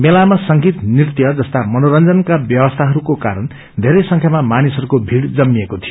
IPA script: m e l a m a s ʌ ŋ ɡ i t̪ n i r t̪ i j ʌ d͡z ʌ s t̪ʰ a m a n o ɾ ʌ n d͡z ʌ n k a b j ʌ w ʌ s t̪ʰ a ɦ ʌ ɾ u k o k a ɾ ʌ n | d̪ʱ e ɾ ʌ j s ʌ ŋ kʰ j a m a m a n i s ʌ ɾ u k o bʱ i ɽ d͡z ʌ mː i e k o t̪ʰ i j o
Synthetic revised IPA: m e l a m a s ʌ ŋ ɡ i t̪ n i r t̪ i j ʌ d͡z ʌ s t̪ a m ʌ n o ɾ ʌ n d͡z ʌ n k a b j ʌ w ʌ s t̪ʰ a ɦ ʌ ɾ u k o k a ɾ ʌ n | d̪ʱ e ɾ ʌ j s ʌ ŋ kʰ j a m a m a n i s ʌ ɾ u k o bʱ i ɽ d͡z ʌ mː i e k o t̪ʰ i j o